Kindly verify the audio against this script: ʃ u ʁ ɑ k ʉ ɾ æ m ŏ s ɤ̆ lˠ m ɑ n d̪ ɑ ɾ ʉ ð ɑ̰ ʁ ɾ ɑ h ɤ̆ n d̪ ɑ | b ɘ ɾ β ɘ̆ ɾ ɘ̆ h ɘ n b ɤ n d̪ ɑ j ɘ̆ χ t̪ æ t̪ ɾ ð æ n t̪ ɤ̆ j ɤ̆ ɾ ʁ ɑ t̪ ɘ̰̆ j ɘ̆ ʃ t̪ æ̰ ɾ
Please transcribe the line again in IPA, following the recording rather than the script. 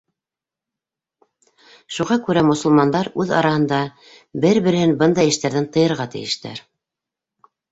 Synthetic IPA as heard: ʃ u ʁ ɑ k ʉ ɾ æ m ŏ s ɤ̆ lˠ m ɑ n d̪ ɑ ɾ ʉ ð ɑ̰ ɾ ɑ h ɤ̆ n d̪ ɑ | b ɘ ɾ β ɘ̆ ɾ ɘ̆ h ɘ n b ɤ n d̪ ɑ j ɘ̆ ʃ t̪ æ ɾ ð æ n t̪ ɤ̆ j ɤ̆ ɾ ʁ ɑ t̪ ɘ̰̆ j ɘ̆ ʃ t̪ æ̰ ɾ